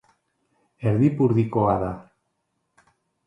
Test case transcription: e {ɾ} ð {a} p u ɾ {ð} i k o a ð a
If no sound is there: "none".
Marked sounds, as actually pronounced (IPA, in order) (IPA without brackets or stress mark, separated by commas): ɾ, i, ð